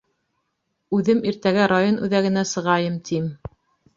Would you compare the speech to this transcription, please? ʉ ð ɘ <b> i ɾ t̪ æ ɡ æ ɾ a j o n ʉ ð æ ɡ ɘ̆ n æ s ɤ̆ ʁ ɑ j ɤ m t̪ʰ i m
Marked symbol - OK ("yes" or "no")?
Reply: no